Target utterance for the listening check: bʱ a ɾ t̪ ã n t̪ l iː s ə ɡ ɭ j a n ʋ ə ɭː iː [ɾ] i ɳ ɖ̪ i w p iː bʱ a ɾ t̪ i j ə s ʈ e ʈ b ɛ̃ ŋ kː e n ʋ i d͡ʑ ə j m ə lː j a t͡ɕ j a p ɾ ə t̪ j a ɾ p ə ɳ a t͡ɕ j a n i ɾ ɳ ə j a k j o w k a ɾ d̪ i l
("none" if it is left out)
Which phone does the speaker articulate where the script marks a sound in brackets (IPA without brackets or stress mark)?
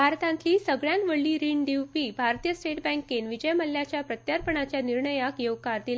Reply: ɾ